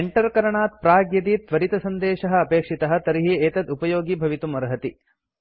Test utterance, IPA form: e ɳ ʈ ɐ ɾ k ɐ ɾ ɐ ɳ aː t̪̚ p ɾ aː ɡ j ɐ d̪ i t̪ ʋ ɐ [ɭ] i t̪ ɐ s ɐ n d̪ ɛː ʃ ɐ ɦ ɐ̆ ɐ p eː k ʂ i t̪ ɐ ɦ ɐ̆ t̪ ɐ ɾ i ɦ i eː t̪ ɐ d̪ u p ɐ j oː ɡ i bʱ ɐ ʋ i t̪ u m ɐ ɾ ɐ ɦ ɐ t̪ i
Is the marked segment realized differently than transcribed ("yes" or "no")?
yes